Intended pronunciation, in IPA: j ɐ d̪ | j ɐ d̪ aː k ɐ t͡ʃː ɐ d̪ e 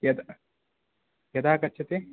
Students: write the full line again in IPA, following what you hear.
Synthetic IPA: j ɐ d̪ | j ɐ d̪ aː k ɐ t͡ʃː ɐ t̪ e